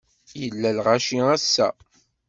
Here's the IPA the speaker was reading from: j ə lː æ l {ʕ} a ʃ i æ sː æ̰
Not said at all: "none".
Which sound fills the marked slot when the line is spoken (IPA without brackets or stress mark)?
ʁ